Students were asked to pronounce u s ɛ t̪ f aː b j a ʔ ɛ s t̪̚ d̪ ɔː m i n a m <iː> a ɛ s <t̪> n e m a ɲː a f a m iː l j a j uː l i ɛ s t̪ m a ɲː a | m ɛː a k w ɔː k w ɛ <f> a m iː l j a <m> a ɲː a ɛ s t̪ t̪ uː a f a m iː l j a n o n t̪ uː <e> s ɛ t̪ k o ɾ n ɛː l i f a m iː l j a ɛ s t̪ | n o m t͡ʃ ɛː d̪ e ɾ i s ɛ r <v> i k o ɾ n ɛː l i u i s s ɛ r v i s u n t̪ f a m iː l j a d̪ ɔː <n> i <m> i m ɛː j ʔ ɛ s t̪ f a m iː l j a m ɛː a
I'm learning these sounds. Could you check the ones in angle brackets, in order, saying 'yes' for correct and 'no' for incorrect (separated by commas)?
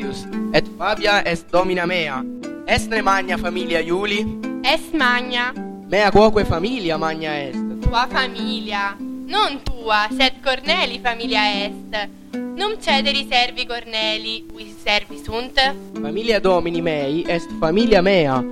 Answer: no, yes, yes, yes, no, yes, no, no